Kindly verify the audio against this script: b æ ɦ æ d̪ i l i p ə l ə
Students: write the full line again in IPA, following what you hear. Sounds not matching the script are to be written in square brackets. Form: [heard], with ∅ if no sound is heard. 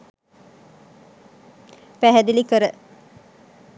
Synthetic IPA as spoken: [p] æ ɦ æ d̪ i l i [k] ə [ɾ] ə

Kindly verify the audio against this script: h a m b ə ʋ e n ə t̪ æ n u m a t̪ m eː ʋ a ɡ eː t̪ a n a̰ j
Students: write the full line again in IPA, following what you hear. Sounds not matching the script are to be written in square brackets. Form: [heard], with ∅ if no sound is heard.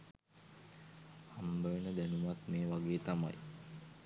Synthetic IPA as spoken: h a m b ə ʋ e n ə [d̪] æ n u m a t̪ m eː ʋ a ɡ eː t̪ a [m] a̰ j

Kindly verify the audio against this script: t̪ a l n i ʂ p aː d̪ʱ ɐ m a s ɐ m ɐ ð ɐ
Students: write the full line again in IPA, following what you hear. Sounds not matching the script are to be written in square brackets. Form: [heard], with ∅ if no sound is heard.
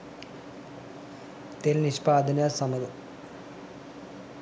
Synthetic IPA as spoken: t̪ [e] l n i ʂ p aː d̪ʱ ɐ [n] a s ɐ m ɐ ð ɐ

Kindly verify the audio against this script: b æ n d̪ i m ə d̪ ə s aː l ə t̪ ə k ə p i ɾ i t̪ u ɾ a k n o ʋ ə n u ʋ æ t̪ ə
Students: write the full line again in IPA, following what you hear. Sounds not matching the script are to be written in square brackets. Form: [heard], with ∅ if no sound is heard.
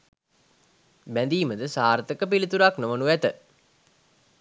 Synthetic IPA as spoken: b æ n d̪ [iː] m ə d̪ ə s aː [ɾ] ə t̪ ə k ə p i [l] i t̪ u ɾ a k n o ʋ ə n u ʋ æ t̪ ə

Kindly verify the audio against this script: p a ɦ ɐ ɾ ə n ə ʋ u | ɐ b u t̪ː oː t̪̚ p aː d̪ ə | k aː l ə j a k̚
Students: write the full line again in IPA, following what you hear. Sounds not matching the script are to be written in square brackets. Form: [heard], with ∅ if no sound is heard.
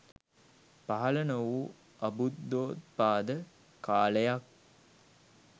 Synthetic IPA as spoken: p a ɦ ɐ [l] ə n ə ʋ u | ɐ b u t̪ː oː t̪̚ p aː d̪ ə | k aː l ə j a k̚

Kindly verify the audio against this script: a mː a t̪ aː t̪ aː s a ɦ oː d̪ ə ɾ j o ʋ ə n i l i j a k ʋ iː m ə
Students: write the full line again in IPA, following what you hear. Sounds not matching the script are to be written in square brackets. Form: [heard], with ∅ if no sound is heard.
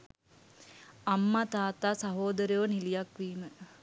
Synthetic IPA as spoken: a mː a t̪ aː t̪ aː s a ɦ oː d̪ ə ɾ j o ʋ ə n i l i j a k ʋ iː m ə

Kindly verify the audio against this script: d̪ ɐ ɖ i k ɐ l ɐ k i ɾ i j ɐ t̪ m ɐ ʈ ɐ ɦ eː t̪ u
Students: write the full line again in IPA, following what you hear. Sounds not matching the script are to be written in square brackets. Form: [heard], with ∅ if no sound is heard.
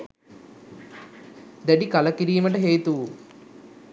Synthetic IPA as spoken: d̪ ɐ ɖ i k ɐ l ɐ k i ɾ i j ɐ [∅] m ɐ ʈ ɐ ɦ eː t̪ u

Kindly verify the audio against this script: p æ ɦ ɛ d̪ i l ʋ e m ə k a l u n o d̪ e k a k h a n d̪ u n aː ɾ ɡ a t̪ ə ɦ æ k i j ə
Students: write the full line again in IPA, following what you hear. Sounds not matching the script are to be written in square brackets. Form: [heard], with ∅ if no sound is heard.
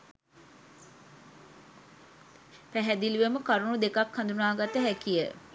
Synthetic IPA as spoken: p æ ɦ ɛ d̪ i l ʋ e m ə k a [ɾ] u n [u] d̪ e k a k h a n d̪ u n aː [∅] ɡ a t̪ ə ɦ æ k i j ə

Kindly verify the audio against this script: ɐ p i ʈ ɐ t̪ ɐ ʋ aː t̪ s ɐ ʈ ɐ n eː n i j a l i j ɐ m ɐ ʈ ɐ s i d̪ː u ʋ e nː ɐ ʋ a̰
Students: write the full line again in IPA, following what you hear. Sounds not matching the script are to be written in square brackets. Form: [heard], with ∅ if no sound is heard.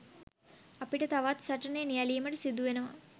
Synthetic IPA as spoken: ɐ p i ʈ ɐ t̪ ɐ ʋ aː t̪ s ɐ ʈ ɐ n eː n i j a l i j ɐ m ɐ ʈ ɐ s i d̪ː u ʋ e [n] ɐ ʋ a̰

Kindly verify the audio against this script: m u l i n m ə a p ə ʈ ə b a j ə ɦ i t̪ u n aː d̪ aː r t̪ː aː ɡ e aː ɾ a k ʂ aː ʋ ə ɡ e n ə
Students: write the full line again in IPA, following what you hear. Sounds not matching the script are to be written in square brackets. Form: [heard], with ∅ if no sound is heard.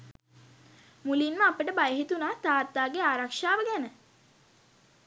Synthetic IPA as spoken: m u l i n m ə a p ə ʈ ə b a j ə ɦ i t̪ u n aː [t̪] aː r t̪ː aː ɡ e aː ɾ a k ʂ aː ʋ ə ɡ [æ] n ə

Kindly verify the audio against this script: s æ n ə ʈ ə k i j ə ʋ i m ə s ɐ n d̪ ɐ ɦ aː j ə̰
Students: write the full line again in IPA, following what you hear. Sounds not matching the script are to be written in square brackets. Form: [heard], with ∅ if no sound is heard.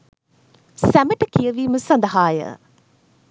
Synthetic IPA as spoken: s æ [m] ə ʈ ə k i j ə ʋ [iː] m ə s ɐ n d̪ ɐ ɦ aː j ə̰

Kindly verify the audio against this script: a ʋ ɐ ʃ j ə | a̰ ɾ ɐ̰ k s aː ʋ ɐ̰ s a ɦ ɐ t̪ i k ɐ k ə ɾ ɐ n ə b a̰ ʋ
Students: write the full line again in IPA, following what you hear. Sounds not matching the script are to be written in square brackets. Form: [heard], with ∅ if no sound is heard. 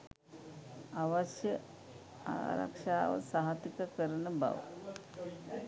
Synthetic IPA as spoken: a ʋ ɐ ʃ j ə | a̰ ɾ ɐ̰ k [ʂ] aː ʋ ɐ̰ s a ɦ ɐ t̪ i k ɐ k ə ɾ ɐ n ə b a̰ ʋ

